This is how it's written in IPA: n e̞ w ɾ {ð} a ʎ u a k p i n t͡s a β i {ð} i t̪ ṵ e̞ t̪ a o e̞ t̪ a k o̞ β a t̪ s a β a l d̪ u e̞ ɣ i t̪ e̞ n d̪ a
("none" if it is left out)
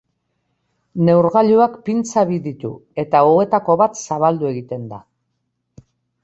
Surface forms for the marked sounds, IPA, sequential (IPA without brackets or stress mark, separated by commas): ɣ, ð